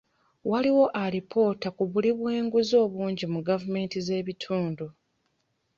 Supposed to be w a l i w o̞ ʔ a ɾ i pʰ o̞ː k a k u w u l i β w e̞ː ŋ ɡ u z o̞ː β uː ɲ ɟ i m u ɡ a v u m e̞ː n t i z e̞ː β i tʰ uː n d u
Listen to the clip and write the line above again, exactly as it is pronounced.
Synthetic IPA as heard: w a l i w o̞ ʔ a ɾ i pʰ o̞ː t a k u β u l i β w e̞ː ŋ ɡ u z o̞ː β uː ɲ ɟ i m u ɡ a v u m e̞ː n t i z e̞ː β i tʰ uː n d u